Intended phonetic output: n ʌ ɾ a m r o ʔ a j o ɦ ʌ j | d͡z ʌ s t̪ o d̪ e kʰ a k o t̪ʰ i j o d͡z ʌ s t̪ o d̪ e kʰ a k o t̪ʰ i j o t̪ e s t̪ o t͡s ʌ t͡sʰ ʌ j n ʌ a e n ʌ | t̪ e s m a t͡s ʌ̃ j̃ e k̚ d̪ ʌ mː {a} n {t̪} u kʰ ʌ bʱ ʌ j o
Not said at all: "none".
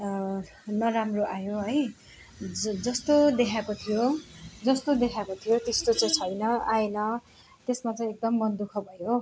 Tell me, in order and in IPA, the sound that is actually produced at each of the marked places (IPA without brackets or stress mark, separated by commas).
ʌ, d̪